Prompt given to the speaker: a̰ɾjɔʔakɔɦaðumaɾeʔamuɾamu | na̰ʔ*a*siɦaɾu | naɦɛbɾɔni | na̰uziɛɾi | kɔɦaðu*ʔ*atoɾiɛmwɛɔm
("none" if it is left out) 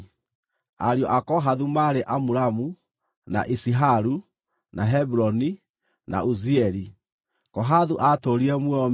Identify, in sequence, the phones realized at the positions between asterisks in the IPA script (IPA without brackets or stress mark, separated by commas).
i, ʔ